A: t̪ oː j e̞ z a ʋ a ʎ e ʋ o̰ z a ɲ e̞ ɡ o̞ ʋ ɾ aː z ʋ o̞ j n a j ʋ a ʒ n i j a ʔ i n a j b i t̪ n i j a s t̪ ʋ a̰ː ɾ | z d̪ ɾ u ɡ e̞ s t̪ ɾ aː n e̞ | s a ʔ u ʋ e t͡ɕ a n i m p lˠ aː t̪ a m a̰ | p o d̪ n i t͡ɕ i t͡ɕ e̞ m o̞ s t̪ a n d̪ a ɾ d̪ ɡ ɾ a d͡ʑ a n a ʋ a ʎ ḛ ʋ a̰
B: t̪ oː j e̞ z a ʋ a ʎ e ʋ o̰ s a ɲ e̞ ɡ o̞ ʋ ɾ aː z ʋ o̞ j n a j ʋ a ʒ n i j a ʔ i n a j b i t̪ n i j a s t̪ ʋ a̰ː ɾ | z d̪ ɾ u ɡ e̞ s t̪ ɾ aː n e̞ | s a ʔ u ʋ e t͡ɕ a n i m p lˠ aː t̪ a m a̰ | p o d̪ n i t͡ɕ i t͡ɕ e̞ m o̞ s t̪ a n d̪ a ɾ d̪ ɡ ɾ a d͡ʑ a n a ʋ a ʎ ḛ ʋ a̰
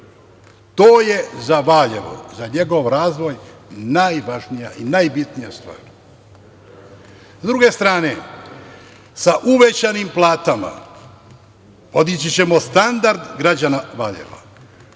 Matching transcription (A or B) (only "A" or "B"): A